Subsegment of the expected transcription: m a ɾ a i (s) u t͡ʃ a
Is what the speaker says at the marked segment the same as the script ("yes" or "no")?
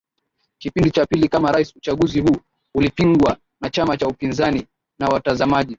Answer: yes